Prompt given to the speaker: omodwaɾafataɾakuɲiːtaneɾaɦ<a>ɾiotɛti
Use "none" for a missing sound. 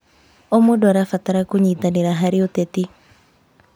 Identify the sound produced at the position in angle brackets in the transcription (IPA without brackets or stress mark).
a